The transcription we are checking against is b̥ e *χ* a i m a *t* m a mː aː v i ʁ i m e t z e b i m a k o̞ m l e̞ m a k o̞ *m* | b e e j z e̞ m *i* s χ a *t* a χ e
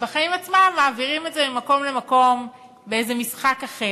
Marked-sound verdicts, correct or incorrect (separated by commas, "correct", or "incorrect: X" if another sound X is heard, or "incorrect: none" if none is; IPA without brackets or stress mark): correct, incorrect: t͡s, correct, correct, incorrect: k